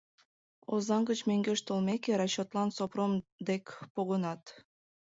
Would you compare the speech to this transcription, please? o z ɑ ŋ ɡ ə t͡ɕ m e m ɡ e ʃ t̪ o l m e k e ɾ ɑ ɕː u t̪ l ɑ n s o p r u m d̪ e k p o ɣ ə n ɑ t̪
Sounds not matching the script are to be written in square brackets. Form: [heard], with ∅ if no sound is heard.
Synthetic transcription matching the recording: o z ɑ ŋ ɡ ə t͡ɕ m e [ŋ] ɡ e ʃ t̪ o l m e k e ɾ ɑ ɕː [o] t̪ l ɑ n s o p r [o] m d̪ e k p o ɣ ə n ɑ t̪